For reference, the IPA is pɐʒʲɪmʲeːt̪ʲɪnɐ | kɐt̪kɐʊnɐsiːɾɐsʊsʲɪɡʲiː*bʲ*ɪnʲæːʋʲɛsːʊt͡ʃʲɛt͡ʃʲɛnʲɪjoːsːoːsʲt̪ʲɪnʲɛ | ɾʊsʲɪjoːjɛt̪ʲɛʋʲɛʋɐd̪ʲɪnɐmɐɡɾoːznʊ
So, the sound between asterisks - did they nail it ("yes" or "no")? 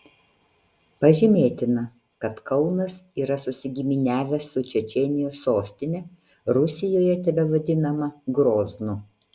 no